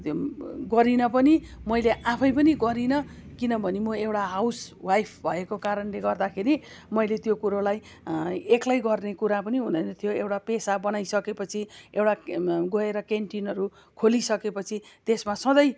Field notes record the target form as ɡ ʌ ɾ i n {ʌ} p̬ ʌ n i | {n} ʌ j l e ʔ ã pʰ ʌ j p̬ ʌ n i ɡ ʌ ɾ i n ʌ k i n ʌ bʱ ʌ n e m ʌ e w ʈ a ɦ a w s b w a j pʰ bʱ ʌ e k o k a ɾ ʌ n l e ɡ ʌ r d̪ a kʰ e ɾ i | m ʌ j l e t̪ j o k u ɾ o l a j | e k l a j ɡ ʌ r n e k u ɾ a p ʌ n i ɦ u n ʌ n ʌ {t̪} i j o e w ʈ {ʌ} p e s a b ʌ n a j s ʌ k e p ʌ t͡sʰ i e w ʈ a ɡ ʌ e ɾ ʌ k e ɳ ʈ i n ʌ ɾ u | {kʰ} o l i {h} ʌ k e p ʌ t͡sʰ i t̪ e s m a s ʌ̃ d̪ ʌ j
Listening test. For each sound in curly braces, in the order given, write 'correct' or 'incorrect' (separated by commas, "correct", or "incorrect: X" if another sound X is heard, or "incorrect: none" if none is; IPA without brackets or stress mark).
correct, incorrect: m, incorrect: t̪ʰ, incorrect: a, correct, incorrect: s